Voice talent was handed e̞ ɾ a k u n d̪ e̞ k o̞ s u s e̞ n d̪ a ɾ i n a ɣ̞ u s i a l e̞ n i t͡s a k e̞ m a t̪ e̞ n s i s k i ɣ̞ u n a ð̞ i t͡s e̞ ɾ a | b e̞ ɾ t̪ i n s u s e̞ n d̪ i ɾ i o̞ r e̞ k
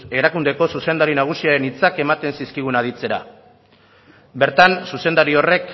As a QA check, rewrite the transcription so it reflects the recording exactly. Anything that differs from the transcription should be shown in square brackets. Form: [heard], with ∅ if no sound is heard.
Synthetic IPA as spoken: e̞ ɾ a k u n d̪ e̞ k o̞ s u s e̞ n d̪ a ɾ i n a ɣ̞ u s i a [ɾ] e̞ n i t͡s a k e̞ m a t̪ e̞ n s i s k i ɣ̞ u n a ð̞ i t͡s e̞ ɾ a | b e̞ ɾ t̪ [a] n s u s e̞ n d̪ [a] ɾ i o̞ r e̞ k